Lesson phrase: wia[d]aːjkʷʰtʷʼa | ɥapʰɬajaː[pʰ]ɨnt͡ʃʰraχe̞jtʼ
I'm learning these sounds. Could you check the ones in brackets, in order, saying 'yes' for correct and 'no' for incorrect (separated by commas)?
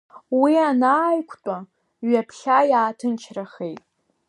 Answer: no, no